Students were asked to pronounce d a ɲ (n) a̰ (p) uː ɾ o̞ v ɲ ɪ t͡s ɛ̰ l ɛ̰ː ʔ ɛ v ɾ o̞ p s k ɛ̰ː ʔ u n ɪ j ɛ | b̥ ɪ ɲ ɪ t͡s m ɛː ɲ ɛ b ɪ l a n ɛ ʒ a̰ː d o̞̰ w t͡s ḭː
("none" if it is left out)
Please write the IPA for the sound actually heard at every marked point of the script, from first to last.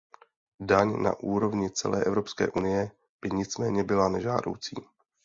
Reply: n, ʔ

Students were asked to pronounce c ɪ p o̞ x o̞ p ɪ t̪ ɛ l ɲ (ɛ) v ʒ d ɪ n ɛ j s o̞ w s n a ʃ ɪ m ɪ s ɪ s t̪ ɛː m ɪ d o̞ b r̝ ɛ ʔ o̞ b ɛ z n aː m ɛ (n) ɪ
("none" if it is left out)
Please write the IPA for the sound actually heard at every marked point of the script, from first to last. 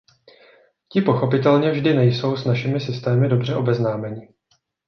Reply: ɛ, ɲ

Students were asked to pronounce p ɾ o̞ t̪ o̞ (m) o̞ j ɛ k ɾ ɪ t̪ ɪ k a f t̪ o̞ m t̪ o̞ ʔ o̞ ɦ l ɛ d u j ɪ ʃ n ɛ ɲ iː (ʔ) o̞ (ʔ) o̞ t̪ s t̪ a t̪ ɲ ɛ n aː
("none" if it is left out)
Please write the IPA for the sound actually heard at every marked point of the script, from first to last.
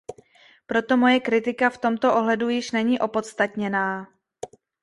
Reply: m, ʔ, p

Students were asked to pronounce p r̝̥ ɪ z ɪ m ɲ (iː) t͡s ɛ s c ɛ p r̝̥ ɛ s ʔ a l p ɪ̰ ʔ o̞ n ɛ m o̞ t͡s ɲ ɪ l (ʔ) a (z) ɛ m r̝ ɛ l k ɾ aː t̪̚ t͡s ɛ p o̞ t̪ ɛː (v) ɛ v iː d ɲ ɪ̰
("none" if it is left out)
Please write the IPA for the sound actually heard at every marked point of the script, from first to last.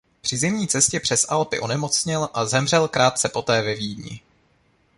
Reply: iː, ʔ, z, v

